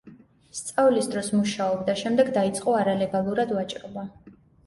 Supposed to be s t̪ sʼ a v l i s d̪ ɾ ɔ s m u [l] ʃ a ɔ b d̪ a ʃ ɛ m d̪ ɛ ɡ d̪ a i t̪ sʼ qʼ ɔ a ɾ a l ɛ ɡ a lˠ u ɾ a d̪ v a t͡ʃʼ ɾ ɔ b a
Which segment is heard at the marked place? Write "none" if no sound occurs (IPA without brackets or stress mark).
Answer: none